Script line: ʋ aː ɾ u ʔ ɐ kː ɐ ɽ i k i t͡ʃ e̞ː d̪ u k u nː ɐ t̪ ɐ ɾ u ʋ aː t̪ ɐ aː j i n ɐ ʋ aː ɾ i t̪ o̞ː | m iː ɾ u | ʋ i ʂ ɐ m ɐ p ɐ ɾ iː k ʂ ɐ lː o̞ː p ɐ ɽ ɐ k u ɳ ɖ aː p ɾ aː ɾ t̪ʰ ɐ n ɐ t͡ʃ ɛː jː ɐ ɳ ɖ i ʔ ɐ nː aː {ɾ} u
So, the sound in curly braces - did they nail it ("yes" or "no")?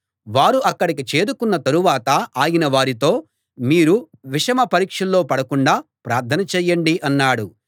no